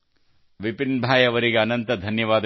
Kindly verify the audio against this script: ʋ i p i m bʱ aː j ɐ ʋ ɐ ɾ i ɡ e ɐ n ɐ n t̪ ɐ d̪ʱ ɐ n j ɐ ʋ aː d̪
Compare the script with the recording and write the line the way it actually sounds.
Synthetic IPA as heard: ʋ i p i n bʱ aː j ɐ ʋ ɐ ɾ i ɡ e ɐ n ɐ n t̪ ɐ d̪ʱ ɐ n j ɐ ʋ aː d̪